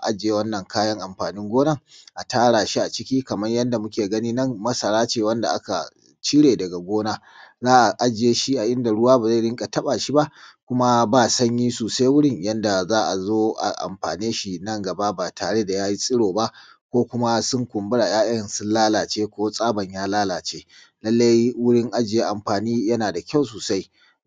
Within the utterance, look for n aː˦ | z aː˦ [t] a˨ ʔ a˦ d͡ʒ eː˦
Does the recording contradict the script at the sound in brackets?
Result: yes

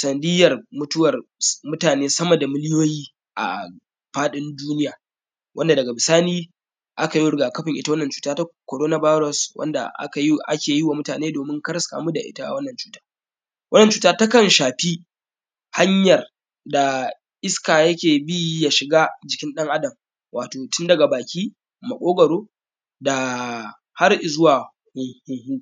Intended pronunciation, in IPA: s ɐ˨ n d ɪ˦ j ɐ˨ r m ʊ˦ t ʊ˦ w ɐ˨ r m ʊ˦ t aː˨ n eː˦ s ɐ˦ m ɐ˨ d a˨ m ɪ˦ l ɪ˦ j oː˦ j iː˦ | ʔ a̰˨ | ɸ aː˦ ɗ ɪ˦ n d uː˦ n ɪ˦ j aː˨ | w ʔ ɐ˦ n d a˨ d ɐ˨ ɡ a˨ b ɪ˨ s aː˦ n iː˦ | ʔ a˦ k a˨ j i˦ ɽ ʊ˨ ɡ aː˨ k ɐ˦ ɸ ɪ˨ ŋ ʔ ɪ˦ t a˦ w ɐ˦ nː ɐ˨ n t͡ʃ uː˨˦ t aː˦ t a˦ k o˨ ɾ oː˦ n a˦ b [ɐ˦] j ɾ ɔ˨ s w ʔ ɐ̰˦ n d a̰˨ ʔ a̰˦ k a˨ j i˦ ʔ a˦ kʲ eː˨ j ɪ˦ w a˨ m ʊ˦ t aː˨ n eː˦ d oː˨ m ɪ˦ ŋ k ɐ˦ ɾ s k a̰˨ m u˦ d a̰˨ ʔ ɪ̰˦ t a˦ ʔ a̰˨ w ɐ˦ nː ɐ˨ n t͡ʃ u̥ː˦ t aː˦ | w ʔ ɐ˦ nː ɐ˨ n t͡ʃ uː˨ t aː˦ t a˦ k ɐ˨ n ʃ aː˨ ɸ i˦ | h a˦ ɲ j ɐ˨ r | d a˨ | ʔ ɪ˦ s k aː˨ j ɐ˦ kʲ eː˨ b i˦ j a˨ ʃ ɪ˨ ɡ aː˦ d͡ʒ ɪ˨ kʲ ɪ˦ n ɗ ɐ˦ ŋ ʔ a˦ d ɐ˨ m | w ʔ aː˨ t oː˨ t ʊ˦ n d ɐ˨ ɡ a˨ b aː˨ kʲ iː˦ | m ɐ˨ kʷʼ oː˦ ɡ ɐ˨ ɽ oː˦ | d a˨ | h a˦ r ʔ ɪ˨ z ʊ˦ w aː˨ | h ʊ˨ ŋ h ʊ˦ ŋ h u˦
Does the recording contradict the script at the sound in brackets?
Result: yes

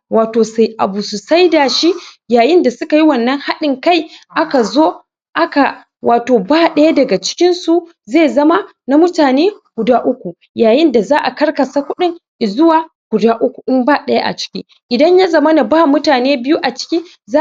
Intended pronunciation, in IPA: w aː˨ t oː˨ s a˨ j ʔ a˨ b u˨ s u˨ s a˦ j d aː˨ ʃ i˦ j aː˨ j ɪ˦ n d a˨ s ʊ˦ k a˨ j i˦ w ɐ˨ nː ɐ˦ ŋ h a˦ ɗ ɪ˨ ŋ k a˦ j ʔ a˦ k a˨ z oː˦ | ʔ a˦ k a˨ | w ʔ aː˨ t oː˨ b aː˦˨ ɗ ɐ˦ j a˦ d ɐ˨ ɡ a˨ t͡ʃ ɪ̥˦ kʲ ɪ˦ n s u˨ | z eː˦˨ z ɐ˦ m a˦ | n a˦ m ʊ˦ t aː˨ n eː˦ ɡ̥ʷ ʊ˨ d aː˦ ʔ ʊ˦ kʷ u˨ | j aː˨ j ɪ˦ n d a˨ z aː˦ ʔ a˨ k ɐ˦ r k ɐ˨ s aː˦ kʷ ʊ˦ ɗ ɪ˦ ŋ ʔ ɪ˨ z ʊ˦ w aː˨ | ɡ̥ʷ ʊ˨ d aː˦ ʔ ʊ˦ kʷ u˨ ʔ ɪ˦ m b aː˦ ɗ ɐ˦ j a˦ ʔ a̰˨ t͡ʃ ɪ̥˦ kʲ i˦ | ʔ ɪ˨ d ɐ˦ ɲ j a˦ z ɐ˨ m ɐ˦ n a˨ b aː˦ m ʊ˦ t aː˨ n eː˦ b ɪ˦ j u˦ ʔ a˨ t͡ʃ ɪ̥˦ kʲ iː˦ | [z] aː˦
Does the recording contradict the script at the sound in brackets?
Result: no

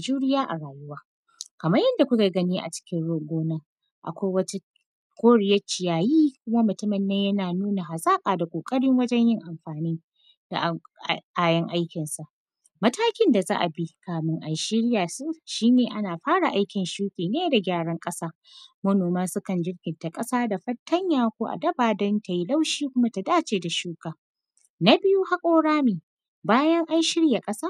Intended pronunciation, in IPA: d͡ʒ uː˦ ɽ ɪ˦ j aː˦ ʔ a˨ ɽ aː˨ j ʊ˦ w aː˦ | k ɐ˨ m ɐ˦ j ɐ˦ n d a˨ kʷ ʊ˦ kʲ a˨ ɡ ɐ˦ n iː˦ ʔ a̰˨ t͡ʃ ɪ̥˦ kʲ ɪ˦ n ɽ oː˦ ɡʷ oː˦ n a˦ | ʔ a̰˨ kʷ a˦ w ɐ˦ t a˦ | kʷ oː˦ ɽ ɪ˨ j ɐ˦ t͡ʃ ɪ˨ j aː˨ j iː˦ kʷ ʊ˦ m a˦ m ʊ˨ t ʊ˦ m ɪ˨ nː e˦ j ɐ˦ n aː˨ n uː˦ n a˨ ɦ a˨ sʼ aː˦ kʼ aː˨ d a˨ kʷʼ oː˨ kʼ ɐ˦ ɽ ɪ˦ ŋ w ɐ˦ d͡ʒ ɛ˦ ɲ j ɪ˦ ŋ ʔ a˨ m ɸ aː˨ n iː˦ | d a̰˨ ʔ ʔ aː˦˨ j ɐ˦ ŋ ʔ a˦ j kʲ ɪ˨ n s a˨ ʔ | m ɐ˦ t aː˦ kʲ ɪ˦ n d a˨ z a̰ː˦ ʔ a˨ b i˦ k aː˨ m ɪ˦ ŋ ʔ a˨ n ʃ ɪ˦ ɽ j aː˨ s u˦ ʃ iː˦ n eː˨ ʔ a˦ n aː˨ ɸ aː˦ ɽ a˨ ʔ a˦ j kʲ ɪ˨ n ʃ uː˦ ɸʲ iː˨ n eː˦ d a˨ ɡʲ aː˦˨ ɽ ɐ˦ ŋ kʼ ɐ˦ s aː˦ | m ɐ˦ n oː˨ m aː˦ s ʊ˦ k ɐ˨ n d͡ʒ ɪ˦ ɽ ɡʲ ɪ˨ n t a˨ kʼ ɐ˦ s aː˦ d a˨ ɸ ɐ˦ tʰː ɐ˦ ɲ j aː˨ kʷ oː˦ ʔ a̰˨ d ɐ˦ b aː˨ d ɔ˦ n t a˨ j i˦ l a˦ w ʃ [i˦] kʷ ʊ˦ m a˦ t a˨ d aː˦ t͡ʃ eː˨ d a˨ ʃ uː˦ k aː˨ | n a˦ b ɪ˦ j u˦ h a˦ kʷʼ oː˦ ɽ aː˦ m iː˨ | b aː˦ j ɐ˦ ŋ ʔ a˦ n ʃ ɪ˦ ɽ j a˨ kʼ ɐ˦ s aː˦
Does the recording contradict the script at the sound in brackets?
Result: yes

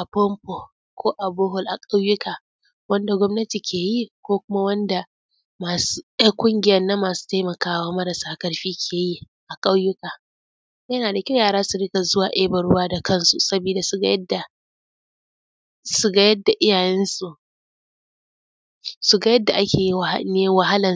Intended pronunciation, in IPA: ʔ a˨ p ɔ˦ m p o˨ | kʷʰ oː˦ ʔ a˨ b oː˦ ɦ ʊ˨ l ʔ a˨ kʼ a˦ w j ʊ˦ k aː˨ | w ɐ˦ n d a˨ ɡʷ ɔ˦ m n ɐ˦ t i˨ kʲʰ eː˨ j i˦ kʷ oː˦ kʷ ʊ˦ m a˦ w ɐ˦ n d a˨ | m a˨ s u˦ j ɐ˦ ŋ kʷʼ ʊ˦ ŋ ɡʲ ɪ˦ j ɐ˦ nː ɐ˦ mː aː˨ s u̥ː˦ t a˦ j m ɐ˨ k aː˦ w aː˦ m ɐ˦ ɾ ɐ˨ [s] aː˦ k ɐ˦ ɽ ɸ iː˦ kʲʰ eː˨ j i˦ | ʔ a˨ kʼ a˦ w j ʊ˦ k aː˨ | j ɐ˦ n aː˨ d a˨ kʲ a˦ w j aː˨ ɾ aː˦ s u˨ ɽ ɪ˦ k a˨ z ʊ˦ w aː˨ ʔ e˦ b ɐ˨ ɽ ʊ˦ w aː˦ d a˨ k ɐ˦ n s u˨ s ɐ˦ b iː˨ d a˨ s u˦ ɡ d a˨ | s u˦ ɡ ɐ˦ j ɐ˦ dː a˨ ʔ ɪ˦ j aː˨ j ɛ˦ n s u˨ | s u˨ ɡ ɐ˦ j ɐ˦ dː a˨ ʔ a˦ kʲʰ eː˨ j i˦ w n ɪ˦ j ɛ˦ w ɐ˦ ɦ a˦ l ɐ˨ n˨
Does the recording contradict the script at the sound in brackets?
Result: no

